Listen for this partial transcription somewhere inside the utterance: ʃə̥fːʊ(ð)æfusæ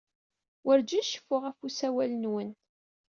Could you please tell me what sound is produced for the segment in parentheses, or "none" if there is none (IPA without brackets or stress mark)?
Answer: ʁ